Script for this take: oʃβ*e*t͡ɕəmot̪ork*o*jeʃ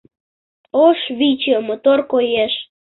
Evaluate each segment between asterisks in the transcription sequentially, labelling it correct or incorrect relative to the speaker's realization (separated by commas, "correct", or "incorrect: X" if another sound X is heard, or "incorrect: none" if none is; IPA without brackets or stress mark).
incorrect: i, correct